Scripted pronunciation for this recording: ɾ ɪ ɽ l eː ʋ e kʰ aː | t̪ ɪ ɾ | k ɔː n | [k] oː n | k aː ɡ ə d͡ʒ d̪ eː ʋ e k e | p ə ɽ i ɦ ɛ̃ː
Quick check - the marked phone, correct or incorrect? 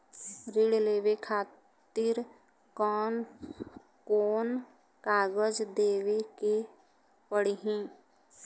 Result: correct